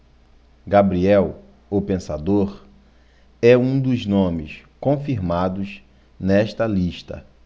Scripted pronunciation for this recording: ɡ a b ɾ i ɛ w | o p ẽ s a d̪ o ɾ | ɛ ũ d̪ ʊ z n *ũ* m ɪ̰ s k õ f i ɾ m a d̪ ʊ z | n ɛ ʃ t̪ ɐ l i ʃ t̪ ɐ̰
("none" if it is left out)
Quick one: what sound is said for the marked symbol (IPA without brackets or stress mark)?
õ